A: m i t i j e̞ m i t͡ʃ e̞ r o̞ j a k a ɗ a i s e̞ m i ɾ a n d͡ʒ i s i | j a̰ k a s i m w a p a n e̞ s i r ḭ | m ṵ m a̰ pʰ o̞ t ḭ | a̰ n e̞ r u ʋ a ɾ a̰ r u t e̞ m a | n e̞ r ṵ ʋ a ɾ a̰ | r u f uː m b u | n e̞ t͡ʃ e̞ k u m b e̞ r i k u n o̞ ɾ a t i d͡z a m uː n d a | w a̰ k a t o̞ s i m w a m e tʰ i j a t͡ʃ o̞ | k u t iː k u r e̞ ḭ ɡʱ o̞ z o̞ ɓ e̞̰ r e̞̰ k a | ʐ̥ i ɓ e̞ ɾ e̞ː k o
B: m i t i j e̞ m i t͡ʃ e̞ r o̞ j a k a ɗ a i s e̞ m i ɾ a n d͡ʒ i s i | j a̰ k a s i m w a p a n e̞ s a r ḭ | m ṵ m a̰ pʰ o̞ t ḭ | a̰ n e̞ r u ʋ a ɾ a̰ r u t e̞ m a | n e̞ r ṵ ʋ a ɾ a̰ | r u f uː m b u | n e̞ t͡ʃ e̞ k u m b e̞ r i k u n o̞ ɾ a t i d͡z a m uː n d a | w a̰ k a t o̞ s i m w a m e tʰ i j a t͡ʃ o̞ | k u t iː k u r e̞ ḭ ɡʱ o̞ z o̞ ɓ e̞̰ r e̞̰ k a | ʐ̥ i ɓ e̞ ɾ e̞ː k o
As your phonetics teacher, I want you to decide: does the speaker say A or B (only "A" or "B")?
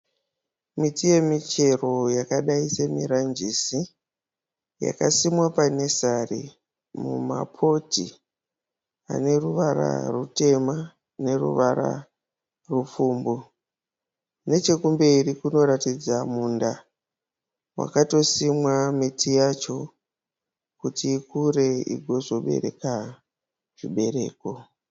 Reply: B